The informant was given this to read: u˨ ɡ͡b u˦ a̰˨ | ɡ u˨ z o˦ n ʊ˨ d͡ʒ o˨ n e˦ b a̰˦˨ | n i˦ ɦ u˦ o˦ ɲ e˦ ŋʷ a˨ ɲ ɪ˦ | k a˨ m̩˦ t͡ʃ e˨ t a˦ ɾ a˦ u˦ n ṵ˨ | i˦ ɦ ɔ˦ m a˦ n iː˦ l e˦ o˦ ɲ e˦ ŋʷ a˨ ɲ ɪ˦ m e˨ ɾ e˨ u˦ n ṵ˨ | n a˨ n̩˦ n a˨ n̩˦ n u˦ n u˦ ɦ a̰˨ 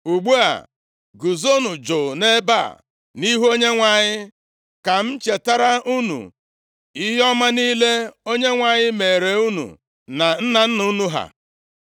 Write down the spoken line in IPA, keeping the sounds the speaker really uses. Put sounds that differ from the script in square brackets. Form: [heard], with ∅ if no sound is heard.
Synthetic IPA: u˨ ɡ͡b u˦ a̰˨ | ɡ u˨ z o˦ n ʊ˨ d͡ʒ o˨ n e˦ b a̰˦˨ | n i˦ ɦ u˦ o˦ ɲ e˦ ŋʷ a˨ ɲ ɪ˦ | k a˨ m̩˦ t͡ʃ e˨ t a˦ ɾ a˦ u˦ n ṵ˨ | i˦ ɦ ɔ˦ m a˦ n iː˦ l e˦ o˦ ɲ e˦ ŋʷ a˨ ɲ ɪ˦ m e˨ ɾ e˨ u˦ n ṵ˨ | n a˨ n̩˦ n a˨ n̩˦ n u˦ n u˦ ɦ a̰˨